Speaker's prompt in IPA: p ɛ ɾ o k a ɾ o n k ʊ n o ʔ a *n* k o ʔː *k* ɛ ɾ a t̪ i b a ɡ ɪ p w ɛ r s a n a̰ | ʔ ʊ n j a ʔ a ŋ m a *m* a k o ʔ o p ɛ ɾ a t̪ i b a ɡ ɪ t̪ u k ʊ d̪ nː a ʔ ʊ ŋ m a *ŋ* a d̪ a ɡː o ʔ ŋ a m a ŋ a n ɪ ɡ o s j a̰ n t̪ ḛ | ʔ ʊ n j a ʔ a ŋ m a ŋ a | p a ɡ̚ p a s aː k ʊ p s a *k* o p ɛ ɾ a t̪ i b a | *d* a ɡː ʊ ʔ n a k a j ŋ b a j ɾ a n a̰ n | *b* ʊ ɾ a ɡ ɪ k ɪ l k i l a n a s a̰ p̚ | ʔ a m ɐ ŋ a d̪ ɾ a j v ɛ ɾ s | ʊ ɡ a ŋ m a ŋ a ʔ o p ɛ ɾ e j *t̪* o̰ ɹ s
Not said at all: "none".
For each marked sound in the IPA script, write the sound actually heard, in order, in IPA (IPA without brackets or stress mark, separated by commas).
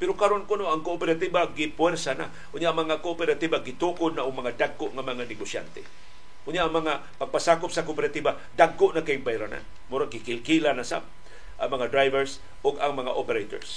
ŋ, p, ŋ, ŋ, k, d, m, t̪